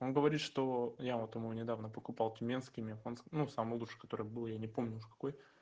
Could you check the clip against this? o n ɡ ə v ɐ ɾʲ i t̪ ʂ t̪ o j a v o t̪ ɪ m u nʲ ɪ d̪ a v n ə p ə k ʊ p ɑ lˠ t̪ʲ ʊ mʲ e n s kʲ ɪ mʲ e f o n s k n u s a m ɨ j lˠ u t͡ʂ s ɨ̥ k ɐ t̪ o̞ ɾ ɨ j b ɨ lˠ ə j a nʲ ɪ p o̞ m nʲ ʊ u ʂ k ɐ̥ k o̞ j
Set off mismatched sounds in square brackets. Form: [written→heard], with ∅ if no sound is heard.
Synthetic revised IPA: o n ɡ ə v ɐ ɾʲ i t̪ ʂ t̪ o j a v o t̪ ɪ m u nʲ ɪ d̪ a v n ə p ə k ʊ p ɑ lˠ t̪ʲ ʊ mʲ e n s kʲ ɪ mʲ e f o n s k n u s a m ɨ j lˠ u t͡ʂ [s→ʂ] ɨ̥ k ɐ t̪ o̞ ɾ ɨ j b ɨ lˠ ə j a nʲ ɪ p o̞ m nʲ ʊ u ʂ k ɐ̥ k o̞ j